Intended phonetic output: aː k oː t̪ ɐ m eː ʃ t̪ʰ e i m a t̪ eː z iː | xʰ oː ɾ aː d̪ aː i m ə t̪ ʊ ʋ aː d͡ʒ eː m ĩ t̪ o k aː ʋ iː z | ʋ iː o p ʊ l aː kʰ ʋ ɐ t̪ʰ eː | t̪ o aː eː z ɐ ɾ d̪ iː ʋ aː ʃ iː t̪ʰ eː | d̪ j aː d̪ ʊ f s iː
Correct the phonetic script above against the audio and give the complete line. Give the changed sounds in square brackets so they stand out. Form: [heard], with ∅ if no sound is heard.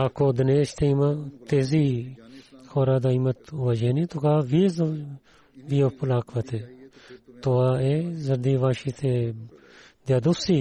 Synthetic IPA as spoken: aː k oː [d̪] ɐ [n] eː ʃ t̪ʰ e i m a t̪ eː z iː | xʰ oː ɾ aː d̪ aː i m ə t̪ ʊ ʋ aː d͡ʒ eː [n] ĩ t̪ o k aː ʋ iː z | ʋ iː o p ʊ l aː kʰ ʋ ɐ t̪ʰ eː | t̪ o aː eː z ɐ ɾ d̪ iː ʋ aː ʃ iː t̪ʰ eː | d̪ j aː d̪ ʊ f s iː